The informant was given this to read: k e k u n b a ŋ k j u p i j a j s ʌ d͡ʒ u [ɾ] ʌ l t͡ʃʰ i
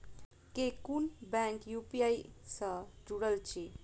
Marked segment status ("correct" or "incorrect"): incorrect